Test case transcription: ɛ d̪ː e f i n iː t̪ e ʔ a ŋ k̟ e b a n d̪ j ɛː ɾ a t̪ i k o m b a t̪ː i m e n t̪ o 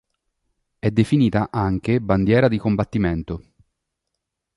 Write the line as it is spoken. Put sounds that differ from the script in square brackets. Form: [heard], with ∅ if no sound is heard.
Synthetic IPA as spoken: ɛ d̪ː e f i n iː t̪ [a] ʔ a ŋ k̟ e b a n d̪ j ɛː ɾ a [d̪] i k o m b a t̪ː i m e n t̪ o